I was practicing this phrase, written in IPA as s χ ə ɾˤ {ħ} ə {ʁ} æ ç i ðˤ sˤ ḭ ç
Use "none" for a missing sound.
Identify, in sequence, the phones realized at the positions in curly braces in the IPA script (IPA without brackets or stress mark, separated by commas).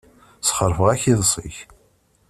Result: f, ʁ